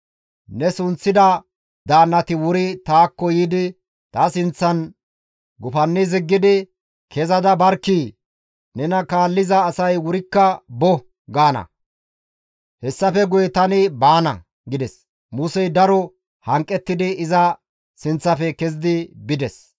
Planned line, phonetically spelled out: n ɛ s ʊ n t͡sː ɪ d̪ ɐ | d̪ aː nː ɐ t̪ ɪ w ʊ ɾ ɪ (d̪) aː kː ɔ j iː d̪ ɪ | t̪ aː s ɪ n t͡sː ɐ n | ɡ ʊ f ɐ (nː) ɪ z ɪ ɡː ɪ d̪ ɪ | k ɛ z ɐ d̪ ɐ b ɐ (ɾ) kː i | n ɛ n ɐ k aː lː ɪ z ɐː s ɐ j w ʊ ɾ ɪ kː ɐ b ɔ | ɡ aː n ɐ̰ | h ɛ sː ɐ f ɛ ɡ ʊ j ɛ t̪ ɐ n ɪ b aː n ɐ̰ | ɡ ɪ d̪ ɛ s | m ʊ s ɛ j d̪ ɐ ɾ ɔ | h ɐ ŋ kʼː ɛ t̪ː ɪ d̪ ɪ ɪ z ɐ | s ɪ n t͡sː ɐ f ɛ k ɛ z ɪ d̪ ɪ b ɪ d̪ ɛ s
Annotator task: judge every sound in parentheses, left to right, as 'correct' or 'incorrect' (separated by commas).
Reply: incorrect, correct, correct